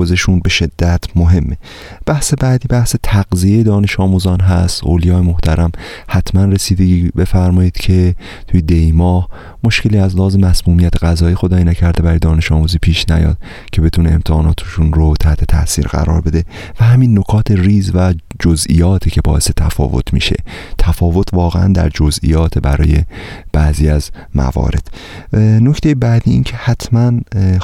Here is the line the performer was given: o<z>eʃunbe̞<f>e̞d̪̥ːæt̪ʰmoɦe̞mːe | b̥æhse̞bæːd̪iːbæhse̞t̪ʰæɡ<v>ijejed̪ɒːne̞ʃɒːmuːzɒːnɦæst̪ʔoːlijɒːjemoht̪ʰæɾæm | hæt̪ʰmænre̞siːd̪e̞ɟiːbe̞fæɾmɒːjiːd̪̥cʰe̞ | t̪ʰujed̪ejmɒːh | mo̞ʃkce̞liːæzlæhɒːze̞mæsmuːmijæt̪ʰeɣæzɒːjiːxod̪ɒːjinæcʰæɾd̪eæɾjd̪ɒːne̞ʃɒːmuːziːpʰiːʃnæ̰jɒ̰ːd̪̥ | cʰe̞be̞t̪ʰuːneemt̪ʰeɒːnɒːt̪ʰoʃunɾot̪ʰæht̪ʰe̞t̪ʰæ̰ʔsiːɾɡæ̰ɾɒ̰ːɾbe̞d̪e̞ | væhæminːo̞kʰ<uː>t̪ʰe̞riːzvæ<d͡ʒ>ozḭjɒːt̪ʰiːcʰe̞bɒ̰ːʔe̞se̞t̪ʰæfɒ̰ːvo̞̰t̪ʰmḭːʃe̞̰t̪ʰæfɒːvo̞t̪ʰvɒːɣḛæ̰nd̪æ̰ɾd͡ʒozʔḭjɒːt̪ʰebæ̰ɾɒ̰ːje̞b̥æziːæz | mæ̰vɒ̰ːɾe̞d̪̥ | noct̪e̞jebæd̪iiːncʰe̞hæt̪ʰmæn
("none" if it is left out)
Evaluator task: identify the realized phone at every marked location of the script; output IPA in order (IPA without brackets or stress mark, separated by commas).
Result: z, ʃ, z, ɒː, d͡ʒ